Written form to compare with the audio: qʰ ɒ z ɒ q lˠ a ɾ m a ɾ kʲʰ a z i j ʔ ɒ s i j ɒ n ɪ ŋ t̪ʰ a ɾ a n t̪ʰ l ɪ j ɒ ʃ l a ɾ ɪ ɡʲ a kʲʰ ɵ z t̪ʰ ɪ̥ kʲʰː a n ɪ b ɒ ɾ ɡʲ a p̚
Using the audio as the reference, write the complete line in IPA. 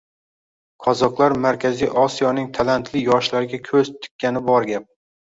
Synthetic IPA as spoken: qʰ ɒ z ɒ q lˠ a ɾ m a ɾ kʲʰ a z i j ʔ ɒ s i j ɒ n ɪ ŋ t̪ʰ a l a n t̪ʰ l ɪ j ɒ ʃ l a ɾ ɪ ɡʲ a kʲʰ ɵ z t̪ʰ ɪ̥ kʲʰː a n ɪ b ɒ ɾ ɡʲ a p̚

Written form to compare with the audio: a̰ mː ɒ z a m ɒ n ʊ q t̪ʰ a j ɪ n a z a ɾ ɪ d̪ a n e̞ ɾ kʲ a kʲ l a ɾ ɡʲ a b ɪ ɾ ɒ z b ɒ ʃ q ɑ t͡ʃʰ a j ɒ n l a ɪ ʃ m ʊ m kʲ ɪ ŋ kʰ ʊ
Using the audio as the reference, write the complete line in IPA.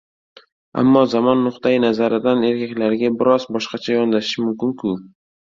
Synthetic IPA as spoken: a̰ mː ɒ z a m ɒ nː ʊ q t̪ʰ a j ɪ n a z a ɾ ɪ d̪ a n e̞ ɾ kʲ a kʲ l a ɾ ɡʲ a b ɪ ɾ ɒ z b ɒ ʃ q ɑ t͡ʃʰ a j ɒ n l a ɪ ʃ m ʊ m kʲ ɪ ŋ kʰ ʊ

